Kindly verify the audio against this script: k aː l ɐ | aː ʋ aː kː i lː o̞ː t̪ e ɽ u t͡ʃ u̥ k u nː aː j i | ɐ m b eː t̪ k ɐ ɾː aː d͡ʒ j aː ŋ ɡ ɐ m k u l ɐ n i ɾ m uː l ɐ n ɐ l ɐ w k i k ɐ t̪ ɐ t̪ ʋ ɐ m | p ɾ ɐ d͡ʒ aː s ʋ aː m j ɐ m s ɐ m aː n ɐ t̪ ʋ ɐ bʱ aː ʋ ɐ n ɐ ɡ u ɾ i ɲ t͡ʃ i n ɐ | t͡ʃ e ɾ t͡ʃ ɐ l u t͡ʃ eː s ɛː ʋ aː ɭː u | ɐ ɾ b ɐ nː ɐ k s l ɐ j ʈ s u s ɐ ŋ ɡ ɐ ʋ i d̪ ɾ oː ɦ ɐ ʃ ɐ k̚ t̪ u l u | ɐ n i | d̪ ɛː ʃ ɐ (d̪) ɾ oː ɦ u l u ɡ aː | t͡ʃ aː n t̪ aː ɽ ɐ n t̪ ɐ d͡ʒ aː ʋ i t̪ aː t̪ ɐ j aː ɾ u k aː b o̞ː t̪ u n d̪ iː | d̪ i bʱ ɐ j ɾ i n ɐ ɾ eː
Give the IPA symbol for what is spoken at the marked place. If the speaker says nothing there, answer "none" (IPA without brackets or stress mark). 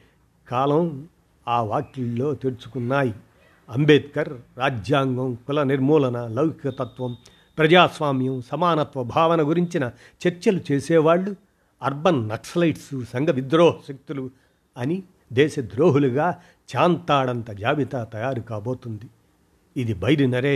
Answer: d̪